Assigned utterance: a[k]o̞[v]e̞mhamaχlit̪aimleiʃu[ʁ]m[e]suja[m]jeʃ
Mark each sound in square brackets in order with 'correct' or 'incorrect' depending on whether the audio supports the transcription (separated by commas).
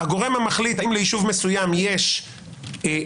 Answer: incorrect, incorrect, incorrect, correct, correct